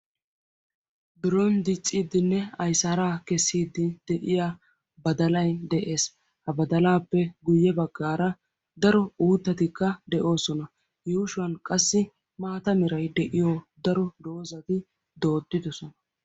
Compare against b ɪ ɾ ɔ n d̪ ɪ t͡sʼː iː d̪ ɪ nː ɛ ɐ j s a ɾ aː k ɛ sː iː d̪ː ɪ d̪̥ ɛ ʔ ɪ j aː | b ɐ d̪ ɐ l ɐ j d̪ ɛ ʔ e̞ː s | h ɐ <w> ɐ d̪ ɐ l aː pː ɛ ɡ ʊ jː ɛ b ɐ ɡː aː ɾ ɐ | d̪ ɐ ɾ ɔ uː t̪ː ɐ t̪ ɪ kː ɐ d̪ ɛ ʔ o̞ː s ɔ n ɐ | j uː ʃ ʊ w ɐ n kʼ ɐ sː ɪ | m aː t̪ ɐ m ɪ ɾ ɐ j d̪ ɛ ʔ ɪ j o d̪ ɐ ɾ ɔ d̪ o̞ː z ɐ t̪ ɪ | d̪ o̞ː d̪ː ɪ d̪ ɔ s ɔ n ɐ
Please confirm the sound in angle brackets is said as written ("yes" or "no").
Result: no